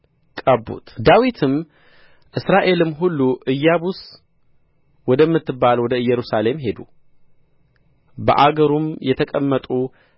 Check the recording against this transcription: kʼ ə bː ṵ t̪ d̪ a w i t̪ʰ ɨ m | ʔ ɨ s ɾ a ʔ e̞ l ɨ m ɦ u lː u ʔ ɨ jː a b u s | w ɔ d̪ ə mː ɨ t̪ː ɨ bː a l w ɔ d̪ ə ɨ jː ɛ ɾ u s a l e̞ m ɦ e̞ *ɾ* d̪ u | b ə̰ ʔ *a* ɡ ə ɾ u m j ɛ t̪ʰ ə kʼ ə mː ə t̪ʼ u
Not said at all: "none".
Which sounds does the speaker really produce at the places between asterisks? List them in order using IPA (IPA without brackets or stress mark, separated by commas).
none, a